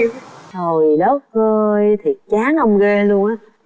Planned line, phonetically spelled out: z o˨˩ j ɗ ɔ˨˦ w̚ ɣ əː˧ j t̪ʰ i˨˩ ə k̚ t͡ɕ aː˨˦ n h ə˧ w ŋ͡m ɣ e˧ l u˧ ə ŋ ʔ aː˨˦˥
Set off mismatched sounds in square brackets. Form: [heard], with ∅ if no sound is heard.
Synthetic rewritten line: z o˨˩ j ɗ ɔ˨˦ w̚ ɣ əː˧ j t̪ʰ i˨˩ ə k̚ t͡ɕ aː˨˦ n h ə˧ w ŋ͡m ɣ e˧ l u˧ ə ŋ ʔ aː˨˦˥